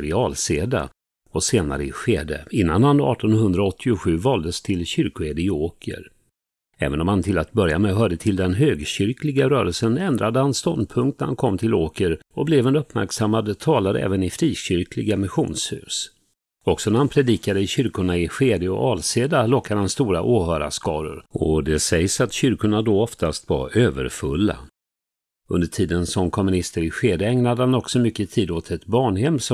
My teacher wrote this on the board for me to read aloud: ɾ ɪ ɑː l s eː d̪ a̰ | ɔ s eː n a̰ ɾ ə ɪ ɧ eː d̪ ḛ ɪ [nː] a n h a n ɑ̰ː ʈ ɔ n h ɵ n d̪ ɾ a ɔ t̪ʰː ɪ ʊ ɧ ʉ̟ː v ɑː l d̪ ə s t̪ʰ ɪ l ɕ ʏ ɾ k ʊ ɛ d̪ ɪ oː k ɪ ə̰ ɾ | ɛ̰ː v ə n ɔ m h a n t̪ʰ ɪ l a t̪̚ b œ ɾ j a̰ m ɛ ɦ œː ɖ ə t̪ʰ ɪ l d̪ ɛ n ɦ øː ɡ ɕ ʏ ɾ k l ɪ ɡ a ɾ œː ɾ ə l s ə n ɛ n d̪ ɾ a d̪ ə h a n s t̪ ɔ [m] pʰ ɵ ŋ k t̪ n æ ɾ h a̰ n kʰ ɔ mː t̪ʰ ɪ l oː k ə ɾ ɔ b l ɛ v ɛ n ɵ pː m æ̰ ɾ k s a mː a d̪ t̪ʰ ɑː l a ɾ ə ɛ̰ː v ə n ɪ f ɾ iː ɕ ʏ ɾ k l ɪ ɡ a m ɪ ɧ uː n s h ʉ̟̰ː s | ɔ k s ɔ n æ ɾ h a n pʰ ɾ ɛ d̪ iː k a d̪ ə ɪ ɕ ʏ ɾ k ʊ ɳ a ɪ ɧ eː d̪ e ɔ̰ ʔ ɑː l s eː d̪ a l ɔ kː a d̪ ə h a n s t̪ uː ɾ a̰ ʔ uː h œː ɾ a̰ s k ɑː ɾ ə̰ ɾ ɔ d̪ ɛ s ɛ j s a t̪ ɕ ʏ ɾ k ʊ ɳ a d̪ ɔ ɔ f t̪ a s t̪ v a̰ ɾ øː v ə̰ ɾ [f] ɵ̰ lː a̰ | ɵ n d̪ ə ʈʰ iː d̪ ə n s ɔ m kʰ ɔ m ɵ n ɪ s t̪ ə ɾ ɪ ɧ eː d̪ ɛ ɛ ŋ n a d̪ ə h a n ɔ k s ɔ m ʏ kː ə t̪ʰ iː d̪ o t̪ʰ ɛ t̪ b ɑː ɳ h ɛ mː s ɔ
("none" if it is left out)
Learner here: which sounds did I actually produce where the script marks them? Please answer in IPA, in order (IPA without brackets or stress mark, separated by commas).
nː, n, f